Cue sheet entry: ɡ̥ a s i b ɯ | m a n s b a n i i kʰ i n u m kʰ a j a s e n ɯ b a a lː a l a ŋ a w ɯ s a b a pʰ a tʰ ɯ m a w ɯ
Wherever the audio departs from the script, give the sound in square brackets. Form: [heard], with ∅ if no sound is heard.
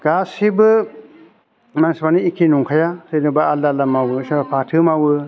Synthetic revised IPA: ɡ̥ a s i b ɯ | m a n s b a n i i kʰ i n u [ŋ] kʰ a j a s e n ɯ b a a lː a l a [m] a w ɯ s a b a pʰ a tʰ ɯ m a w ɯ